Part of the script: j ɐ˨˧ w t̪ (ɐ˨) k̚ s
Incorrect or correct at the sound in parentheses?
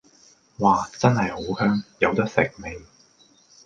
incorrect: ɐ˥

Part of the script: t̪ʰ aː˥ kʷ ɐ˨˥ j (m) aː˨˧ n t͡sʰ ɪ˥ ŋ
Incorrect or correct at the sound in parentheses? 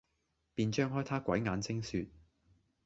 incorrect: ŋ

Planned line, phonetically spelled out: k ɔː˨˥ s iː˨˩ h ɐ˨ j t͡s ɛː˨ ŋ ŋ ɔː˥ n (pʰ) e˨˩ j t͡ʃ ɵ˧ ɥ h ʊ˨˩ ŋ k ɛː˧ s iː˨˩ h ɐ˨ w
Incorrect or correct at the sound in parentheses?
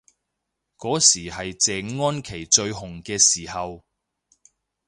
incorrect: kʰ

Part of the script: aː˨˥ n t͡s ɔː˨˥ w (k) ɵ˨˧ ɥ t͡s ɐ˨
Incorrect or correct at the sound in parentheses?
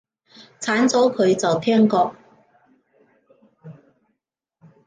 incorrect: kʰ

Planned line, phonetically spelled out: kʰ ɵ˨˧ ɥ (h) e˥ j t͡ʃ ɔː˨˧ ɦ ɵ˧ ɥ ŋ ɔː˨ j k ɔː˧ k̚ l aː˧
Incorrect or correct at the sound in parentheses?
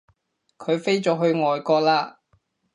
incorrect: f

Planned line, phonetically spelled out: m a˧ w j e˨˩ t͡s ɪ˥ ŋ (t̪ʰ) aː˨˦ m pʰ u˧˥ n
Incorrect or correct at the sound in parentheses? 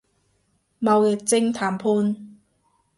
correct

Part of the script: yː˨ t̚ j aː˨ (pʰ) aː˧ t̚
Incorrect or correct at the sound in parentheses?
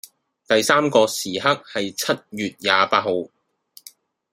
incorrect: p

